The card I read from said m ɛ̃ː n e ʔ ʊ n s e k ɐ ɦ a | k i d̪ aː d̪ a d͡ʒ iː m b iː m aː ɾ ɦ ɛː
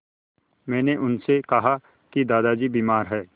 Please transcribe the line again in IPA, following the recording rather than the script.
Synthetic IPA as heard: m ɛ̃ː n e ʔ ʊ n s e k ɐ ɦ a | k i d̪ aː d̪ a d͡ʒ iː b iː m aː ɾ ɦ ɛː